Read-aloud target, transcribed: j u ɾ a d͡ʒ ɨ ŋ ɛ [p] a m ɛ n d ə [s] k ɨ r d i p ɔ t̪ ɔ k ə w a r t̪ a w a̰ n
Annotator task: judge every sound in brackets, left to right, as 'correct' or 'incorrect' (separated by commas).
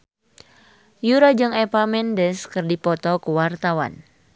correct, correct